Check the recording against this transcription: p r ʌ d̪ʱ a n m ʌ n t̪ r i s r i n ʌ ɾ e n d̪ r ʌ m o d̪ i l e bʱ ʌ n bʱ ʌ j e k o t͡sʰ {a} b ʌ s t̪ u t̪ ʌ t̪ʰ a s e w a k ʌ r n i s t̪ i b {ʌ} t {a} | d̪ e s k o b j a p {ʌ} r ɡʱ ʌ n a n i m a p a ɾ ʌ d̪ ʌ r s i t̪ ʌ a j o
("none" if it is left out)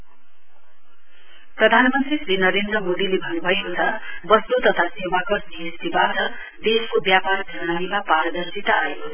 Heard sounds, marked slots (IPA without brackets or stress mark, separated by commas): ʌ, a, ʌ, a